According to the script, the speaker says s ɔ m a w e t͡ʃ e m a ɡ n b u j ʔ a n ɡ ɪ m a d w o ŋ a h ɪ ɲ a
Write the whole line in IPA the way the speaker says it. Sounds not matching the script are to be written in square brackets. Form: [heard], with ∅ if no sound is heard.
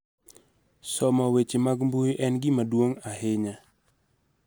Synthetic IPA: s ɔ m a w e t͡ʃ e m a ɡ [m] b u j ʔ [ɛ] n ɡ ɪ m a d w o ŋ a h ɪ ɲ a